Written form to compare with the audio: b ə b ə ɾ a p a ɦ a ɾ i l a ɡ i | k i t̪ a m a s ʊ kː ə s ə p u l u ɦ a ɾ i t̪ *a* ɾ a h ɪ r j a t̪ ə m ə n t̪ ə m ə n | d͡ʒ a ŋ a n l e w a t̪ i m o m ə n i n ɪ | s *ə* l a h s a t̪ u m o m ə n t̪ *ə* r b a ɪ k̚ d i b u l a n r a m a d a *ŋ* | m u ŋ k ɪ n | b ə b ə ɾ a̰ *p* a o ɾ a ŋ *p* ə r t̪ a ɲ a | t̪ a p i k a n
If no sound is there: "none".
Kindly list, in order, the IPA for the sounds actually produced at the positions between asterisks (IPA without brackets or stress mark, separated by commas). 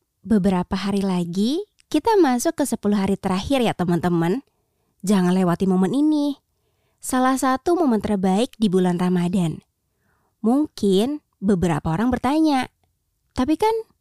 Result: ə, a, ə, n, p, b